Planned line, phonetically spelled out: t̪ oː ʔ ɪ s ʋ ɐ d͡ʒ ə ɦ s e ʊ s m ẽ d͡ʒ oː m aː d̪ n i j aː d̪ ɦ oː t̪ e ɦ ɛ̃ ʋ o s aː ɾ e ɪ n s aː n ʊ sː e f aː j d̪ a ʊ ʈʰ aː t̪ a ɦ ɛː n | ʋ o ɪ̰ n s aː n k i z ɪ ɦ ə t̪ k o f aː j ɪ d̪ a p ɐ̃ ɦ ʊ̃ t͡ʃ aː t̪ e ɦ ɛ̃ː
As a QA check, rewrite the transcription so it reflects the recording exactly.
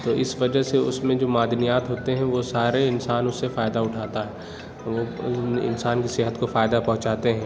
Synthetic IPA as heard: t̪ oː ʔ ɪ s ʋ ɐ d͡ʒ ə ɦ s e ʊ s m ẽ d͡ʒ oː m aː d̪ n i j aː t̪ ɦ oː t̪ e ɦ ɛ̃ ʋ o s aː ɾ e ɪ n s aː n ʊ sː e f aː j d̪ a ʊ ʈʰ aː t̪ a ɦ ɛː | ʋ o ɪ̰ n s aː n k i s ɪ ɦ ə t̪ k o f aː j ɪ d̪ a p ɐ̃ ɦ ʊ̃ t͡ʃ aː t̪ e ɦ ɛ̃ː